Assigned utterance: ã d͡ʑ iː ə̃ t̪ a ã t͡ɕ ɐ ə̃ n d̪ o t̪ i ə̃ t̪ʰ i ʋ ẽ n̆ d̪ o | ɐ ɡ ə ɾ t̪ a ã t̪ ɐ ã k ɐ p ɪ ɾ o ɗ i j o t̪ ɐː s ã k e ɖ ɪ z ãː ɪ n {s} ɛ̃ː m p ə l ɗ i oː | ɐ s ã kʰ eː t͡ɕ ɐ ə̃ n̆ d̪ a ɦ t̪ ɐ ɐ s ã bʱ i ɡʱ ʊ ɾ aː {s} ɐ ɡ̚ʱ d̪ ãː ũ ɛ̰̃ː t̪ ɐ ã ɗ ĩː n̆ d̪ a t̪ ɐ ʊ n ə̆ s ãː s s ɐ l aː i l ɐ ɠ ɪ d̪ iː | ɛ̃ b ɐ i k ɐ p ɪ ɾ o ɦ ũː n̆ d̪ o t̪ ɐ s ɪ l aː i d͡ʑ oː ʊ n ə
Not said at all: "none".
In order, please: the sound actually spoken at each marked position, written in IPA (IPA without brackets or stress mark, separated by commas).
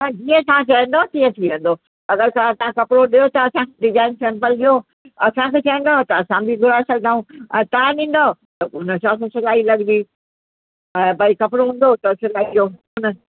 s, s